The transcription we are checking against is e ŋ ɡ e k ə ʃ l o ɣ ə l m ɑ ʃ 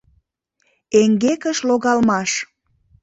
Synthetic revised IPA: e ŋ ɡ e k ə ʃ l o ɣ ɑ l m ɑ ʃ